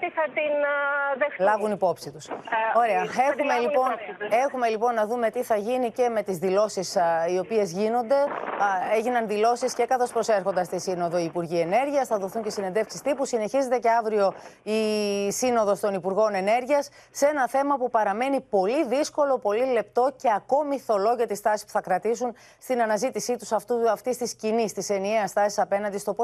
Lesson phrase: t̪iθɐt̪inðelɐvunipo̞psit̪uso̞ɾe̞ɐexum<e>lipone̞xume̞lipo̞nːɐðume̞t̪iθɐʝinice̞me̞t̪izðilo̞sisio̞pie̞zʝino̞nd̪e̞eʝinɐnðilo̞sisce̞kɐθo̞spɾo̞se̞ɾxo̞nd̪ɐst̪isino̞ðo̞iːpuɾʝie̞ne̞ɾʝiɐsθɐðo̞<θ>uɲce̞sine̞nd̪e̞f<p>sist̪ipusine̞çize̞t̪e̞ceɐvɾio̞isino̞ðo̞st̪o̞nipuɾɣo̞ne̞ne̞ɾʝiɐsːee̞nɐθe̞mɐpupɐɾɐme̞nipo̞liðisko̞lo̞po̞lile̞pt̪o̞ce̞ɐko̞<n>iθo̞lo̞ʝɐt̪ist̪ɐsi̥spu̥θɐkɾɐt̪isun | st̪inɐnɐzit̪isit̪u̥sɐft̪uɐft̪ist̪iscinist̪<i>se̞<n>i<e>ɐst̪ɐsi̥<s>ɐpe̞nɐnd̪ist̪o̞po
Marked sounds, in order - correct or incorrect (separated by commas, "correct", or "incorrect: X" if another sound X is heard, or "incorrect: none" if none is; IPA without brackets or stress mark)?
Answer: correct, correct, incorrect: k, incorrect: m, correct, correct, correct, correct